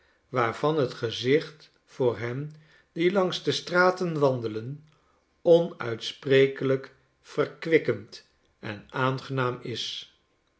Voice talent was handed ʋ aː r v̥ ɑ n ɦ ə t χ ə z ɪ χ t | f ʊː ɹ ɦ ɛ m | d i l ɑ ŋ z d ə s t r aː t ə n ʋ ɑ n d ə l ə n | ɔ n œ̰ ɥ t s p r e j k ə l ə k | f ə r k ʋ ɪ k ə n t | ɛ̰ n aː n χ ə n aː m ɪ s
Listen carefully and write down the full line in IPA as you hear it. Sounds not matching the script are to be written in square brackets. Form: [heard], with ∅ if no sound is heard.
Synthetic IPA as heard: ʋ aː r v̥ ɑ n ɦ ə t χ ə z ɪ χ t | f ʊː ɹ ɦ ɛ m | d i l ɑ ŋ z d ə s t r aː t ə n ʋ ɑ n d ə l ə n | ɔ n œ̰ ɥ t s p r e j k ə l ə k | f ə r k ʋ ɪ k ə n t | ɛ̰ n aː n χ ə n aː m ɪ s